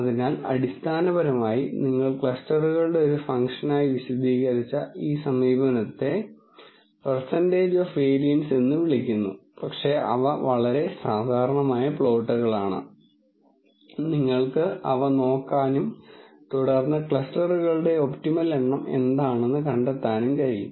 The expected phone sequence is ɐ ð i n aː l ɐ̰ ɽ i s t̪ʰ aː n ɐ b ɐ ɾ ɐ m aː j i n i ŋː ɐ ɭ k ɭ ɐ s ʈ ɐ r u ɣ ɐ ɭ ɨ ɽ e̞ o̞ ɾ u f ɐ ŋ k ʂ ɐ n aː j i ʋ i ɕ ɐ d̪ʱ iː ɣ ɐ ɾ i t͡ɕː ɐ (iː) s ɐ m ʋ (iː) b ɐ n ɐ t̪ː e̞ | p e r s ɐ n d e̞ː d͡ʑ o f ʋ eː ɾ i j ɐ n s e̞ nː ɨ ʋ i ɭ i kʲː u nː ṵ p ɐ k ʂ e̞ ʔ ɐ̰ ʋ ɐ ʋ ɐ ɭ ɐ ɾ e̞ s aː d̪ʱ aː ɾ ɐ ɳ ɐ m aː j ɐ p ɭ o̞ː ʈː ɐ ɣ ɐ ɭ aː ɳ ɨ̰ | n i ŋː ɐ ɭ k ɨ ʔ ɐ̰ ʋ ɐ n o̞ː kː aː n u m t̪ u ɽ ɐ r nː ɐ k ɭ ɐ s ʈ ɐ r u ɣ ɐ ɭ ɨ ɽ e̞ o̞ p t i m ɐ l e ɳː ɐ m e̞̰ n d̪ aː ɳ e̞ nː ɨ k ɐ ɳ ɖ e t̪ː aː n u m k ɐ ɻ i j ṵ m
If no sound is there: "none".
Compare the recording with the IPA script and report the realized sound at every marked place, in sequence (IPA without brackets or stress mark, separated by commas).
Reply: iː, iː